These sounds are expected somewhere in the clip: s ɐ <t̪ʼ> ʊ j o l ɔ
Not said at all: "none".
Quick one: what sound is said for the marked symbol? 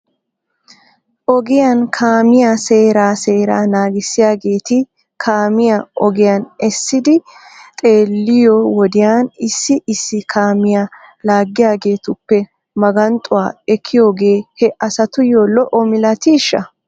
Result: t̪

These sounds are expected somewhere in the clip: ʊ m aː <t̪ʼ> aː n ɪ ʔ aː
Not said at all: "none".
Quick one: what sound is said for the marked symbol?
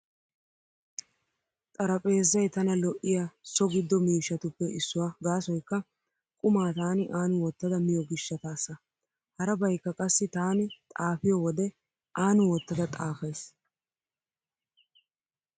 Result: t̪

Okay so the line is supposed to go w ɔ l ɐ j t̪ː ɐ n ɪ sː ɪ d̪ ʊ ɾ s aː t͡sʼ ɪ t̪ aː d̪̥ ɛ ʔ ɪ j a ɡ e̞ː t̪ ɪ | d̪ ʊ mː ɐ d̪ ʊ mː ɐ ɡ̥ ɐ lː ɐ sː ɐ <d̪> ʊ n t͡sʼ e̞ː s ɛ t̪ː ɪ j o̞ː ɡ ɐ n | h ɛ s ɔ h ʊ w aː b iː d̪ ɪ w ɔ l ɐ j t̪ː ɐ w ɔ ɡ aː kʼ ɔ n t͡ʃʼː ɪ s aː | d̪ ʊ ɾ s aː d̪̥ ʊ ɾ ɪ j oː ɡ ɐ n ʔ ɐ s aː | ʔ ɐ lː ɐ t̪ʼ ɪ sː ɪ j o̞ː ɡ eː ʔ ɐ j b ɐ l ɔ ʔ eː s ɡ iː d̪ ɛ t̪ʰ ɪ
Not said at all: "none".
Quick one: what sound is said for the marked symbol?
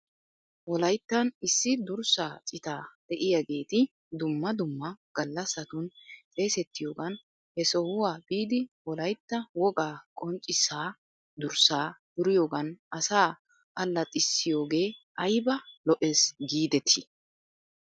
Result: t̪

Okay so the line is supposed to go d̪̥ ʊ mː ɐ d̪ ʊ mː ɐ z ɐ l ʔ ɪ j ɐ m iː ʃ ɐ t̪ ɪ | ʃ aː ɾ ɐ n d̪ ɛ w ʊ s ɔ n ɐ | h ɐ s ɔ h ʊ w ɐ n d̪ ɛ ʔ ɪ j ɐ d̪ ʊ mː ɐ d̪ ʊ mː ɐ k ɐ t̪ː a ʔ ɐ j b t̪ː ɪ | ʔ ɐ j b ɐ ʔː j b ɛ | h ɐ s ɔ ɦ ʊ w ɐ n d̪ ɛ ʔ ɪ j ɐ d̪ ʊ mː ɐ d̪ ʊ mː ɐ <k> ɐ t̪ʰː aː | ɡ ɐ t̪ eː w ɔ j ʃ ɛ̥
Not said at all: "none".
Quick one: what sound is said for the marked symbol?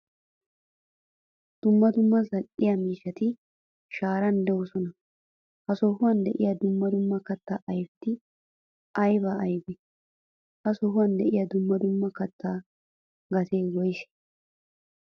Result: k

